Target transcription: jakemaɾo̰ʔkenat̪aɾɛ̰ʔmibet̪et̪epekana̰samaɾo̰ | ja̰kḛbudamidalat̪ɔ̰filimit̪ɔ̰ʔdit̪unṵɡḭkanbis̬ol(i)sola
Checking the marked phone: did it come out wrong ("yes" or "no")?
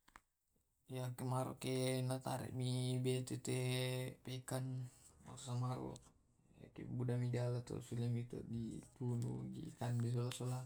yes